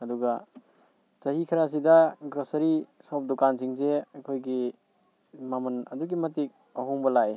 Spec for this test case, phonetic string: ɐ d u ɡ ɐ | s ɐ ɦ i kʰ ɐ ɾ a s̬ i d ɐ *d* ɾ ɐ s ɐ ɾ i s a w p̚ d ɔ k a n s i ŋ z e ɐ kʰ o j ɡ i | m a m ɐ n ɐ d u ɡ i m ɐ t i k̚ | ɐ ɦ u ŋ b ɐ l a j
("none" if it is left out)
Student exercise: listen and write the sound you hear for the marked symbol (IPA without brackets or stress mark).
ɡ